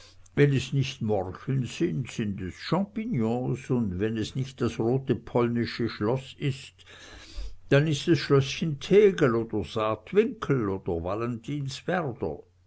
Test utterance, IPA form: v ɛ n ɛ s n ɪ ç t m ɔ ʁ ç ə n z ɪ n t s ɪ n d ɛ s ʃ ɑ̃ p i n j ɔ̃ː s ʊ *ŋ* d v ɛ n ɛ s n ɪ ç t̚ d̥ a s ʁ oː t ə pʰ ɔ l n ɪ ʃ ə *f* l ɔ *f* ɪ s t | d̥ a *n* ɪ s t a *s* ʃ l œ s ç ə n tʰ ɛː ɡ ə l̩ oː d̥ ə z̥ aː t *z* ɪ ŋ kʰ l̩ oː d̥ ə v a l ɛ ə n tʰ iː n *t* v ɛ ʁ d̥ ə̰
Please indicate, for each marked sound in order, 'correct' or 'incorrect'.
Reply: incorrect: n, incorrect: ʃ, incorrect: s, correct, correct, incorrect: v, incorrect: s

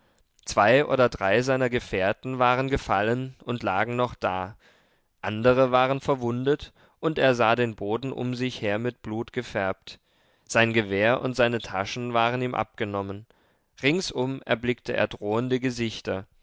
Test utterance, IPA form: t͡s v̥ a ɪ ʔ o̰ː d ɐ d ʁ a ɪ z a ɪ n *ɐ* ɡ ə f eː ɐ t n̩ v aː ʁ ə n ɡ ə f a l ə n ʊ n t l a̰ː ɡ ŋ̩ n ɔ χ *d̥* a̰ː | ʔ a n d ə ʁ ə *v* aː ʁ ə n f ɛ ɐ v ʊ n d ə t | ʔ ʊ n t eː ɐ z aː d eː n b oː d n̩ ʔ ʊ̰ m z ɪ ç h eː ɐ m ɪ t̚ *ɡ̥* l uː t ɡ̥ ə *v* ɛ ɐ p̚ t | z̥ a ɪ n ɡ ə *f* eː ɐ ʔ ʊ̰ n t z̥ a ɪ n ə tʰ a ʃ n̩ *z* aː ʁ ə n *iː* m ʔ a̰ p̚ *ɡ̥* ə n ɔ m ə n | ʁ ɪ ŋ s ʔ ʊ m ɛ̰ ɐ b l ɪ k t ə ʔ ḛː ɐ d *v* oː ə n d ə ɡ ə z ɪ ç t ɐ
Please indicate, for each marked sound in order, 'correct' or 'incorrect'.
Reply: correct, correct, correct, incorrect: b̥, incorrect: f, incorrect: v, incorrect: v, correct, correct, incorrect: ʁ

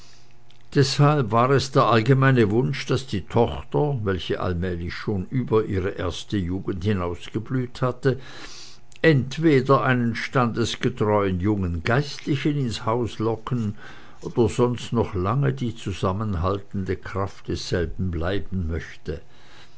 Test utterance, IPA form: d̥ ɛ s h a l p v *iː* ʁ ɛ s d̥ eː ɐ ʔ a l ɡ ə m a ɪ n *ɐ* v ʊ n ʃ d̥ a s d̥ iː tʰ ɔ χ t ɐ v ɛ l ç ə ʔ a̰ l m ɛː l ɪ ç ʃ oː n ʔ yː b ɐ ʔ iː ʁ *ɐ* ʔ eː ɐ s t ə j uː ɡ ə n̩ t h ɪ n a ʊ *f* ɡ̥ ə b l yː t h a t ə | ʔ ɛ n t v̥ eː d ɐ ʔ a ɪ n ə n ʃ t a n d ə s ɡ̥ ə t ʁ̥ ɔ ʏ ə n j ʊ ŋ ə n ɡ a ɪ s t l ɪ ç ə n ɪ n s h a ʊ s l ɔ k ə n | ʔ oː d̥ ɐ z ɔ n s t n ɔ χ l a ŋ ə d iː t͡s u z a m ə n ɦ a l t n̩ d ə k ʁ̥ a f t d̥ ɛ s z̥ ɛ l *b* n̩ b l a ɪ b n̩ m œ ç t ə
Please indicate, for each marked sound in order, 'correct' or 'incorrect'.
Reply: incorrect: aː, incorrect: ə, incorrect: ə, incorrect: s, correct

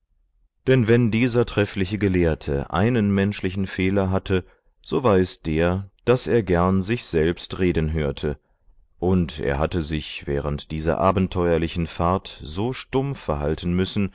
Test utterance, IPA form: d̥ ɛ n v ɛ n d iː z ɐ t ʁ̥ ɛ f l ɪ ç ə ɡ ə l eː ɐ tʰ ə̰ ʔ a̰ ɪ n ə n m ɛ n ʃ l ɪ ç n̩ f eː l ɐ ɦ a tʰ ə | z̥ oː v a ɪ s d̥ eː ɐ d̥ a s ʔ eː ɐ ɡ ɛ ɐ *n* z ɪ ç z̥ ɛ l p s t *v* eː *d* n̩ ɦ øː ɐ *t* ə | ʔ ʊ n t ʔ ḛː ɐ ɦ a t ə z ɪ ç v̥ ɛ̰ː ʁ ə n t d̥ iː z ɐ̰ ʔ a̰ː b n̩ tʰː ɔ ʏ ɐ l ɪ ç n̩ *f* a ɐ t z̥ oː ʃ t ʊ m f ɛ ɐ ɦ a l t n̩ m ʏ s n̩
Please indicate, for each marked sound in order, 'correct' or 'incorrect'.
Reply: correct, incorrect: ʁ, correct, incorrect: tʰ, correct

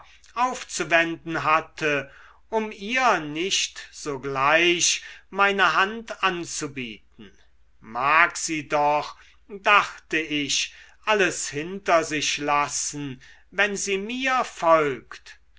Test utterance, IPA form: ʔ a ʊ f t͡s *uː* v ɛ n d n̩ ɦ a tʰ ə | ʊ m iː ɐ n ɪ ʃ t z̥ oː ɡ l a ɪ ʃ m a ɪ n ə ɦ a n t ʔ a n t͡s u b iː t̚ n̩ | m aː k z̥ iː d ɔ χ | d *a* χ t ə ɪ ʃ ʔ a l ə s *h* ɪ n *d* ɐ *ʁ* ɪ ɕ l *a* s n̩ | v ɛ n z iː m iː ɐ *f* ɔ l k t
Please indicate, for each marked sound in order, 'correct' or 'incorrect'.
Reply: incorrect: u, correct, correct, incorrect: t, incorrect: z, correct, correct

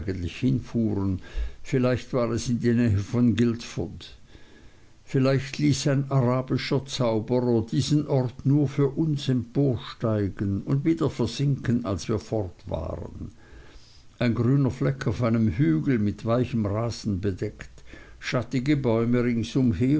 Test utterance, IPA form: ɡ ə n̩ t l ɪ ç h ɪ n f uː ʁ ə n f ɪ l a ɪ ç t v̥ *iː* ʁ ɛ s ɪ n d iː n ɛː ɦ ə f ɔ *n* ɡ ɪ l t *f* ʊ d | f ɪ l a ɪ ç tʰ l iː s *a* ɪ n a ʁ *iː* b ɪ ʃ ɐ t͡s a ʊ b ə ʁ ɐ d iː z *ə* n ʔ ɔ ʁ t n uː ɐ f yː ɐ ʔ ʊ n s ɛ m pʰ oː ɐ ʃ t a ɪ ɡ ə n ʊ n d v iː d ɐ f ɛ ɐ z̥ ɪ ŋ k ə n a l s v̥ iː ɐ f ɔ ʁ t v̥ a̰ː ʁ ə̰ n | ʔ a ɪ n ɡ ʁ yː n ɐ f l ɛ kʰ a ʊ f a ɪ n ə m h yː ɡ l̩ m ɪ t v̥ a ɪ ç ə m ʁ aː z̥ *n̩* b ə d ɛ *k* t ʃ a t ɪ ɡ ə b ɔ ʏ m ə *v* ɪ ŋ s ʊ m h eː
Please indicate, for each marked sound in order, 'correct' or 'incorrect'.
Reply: incorrect: aː, correct, correct, correct, incorrect: aː, correct, correct, correct, incorrect: ʁ

